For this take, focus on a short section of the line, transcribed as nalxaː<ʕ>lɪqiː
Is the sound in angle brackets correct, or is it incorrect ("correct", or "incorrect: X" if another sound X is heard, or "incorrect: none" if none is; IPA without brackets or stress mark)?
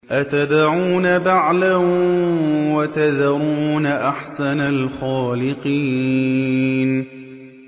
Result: incorrect: none